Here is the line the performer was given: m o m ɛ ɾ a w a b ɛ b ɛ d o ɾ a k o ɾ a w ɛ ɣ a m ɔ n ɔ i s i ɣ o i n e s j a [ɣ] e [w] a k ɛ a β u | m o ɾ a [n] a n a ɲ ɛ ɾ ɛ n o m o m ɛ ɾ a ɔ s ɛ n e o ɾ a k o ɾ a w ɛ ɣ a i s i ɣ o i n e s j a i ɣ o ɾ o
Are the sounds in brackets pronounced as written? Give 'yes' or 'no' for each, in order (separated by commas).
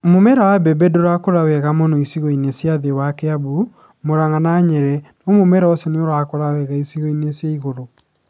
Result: no, yes, no